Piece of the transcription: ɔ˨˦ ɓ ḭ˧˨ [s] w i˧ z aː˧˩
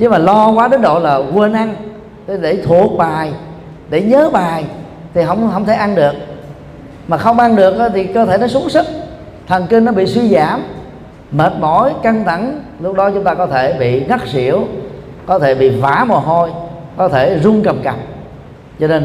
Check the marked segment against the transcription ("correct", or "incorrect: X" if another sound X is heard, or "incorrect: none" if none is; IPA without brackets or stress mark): correct